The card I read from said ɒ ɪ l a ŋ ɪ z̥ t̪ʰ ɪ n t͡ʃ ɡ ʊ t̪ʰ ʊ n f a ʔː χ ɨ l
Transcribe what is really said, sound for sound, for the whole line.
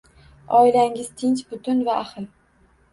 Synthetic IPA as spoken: ɒ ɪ l a ŋ ɪ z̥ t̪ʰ ɪ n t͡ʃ b ʊ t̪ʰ ʊ n v a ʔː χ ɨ l

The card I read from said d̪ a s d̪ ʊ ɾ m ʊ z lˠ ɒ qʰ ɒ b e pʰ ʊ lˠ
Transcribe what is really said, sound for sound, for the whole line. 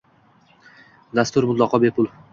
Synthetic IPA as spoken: d̪ a s t̪ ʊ ɾ m ʊ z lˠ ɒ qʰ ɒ b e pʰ ʊ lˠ

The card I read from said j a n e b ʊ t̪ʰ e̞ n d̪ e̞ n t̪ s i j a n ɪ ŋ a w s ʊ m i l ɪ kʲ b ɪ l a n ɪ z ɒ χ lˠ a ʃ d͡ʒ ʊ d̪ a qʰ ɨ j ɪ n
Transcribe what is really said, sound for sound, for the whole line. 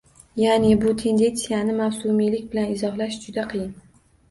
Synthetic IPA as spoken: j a n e b ʊ t̪ʰ e̞ n d̪ e̞ n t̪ s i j a n ɪ m a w s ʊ m i l ɪ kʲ b ɪ l a n ɪ z ɒ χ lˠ a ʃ d͡ʒ ʊ d̪ a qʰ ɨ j ɪ n

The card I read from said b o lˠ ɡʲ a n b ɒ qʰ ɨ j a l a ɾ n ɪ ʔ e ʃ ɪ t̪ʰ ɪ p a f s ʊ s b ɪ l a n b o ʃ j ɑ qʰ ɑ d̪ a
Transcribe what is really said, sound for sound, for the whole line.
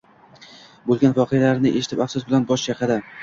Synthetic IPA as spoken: b o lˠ ɡʲ a n v ɒ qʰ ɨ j a l a ɾ n ɪ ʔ e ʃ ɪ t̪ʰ ɪ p a f s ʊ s b ɪ l a n b ɒ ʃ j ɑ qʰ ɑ d̪ a

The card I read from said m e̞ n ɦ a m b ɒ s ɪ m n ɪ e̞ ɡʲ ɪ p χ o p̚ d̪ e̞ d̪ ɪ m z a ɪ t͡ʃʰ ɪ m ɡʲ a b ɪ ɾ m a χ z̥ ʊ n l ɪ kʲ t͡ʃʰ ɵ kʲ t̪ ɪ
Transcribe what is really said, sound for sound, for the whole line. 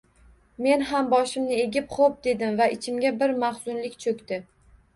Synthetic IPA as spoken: m e̞ n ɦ a m b ɒ ʃ ɪ m n ɪ e̞ ɡʲ ɪ p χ o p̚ d̪ e̞ d̪ ɪ m v a ɪ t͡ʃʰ ɪ m ɡʲ a b ɪ ɾ m a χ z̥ ʊ n l ɪ kʲ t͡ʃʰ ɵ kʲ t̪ ɪ

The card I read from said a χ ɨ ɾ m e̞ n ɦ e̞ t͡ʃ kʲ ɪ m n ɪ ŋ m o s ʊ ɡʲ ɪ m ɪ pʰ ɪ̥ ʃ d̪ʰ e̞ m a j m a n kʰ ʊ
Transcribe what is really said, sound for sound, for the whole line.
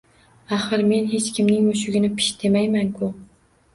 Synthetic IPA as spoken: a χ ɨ ɾ m e̞ n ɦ e̞ t͡ʃ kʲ ɪ m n ɪ ŋ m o ʃ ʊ ɡʲ ɪ n ɪ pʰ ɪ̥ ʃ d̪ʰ e̞ m a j m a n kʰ ʊ

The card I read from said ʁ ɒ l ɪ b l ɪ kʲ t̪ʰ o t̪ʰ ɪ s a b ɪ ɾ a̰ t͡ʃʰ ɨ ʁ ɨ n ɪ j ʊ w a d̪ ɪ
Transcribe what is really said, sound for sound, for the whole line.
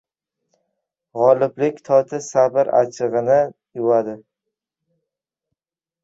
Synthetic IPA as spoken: ʁ ɒ l ɪ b l ɪ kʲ t̪ʰ ɒ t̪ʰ ɪ s a b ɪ ɾ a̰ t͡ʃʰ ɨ ʁ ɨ n ɪ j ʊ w a d̪ ɪ

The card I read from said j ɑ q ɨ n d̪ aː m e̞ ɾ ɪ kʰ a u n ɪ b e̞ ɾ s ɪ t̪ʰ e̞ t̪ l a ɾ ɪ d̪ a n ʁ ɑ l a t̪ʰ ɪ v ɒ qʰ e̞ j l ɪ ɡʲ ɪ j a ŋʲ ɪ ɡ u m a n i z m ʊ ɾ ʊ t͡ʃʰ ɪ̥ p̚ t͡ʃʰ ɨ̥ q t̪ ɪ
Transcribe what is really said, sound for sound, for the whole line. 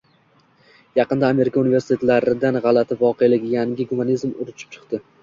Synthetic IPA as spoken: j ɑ q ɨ n d̪ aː m e̞ ɾ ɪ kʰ a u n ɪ v e̞ ɾ s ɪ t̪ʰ e̞ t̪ l a ɾ ɪ d̪ a n ʁ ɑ l a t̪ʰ ɪ v ɒ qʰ e̞ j l ɪ ɡʲ ɪ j a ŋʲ ɪ ɡ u m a n i z m ʊ ɾ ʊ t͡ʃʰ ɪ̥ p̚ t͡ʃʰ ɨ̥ q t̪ ɪ

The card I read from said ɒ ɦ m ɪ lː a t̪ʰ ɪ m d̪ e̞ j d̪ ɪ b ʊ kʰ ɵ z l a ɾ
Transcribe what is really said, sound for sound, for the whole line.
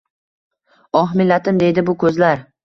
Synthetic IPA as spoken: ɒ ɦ m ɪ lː a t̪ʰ ɪ m d̪ e̞ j d̪ ɪ b ʊ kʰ ɵ z l a ɾ

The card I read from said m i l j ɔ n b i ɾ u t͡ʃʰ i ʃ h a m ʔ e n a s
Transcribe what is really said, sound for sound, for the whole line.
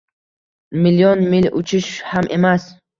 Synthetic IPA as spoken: m i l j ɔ n m i l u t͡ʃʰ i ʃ h a m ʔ e m a s

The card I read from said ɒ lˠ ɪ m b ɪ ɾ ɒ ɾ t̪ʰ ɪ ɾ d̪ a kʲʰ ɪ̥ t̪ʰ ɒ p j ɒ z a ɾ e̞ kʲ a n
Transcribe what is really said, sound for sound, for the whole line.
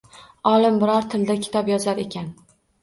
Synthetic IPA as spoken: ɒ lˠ ɪ m b ɪ ɾ ɒ ɾ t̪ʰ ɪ l d̪ a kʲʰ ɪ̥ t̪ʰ ɒ p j ɒ z a ɾ e̞ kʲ a n

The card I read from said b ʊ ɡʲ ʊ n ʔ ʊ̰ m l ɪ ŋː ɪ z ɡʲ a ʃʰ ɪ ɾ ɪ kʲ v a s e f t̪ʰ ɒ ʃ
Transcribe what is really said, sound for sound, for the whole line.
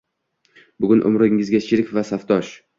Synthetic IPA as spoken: b ʊ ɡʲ ʊ n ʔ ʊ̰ m ɾ ɪ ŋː ɪ z ɡʲ a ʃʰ ɪ ɾ ɪ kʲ v a s a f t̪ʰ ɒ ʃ

